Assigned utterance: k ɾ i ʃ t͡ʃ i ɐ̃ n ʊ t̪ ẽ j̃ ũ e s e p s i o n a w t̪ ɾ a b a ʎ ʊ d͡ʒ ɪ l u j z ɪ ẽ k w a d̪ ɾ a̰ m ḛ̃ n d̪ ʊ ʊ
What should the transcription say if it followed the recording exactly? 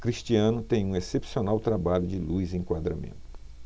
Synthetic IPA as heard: k ɾ i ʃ t͡ʃ i ɐ̃ n ʊ t̪ ẽ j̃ ũ e s e p s i o n a w t̪ ɾ a b a ʎ ʊ d͡ʒ ɪ l u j z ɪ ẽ k w a d̪ ɾ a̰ m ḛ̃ n t̪ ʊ ʊ